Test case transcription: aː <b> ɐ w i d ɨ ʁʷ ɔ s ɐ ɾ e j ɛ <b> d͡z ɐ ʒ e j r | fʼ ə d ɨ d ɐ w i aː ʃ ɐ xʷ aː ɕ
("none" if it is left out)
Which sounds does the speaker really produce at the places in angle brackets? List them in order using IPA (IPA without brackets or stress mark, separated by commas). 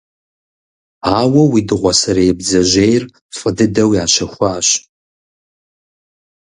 w, b